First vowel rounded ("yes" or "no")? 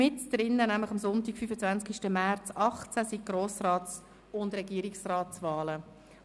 no